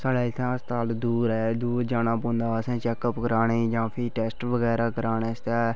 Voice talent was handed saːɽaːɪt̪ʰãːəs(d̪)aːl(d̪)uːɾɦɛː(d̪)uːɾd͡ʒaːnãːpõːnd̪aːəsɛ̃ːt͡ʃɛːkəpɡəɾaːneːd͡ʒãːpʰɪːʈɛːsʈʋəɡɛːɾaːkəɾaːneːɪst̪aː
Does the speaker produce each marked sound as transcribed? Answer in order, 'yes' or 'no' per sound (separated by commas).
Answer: no, yes, yes